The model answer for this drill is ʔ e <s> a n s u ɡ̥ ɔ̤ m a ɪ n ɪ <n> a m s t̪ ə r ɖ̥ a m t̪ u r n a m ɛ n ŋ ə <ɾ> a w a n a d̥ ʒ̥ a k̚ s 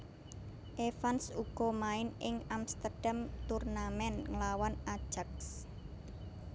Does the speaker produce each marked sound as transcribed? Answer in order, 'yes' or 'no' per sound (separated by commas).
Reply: no, no, no